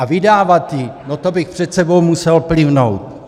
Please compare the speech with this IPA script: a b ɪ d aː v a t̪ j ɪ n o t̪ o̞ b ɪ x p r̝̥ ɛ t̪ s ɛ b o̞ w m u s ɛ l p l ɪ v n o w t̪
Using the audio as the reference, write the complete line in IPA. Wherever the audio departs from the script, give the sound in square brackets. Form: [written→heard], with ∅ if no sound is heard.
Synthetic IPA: a [b→v] ɪ d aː v a t̪ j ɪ n o t̪ o̞ b ɪ x p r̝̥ ɛ t̪ s ɛ b o̞ w m u s ɛ l p l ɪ v n o w t̪